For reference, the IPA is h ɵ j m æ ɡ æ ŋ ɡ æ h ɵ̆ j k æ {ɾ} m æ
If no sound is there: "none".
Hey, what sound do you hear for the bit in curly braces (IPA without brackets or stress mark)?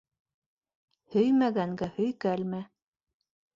l